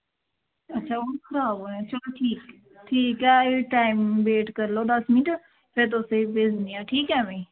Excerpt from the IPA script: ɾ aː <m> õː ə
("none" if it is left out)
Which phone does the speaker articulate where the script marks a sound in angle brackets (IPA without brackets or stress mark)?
b